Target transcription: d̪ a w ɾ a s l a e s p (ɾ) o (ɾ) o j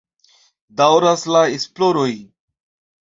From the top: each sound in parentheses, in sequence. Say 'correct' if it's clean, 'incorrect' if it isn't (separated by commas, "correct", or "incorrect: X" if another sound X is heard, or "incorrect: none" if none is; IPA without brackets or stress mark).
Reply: incorrect: l, correct